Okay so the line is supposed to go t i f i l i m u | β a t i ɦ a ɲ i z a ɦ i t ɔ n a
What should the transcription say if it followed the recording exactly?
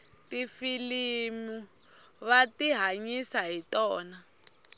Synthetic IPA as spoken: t i f i l i m u | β a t i ɦ a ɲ i s a ɦ i t ɔː n a